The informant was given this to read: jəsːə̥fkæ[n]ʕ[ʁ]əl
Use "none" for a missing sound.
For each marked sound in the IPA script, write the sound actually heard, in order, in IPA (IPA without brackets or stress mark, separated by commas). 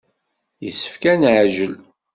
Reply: n, ʒ